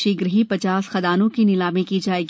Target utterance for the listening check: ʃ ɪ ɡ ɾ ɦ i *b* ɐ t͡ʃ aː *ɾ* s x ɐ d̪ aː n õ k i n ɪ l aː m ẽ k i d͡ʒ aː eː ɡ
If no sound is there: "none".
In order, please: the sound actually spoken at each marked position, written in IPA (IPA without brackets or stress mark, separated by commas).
p, none